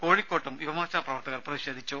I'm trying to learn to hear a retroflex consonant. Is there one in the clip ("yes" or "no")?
yes